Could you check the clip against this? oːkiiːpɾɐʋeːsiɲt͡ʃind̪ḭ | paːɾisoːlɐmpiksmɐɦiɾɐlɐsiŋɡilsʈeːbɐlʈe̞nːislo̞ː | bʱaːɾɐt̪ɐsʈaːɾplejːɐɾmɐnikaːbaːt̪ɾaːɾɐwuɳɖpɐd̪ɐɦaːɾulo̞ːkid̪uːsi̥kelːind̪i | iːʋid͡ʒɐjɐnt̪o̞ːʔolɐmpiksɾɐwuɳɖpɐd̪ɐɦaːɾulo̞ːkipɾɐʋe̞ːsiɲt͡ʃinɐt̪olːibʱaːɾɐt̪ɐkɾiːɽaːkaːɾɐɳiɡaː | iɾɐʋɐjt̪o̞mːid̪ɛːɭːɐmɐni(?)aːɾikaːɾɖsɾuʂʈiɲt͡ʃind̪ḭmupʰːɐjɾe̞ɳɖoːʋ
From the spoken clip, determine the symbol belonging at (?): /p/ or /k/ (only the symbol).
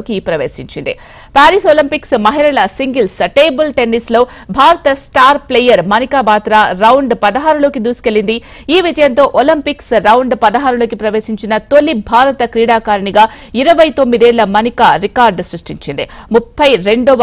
k